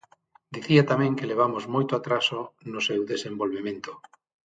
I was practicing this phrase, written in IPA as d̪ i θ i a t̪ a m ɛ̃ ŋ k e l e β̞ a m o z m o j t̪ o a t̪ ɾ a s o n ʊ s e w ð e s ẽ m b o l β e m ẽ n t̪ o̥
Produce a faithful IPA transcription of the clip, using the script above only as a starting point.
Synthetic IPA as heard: d̪ i θ i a t̪ a m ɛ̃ ŋ k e l e β̞ a m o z m o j t̪ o a t̪ ɾ a s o n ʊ s e w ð e s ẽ m b o l β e m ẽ n t̪ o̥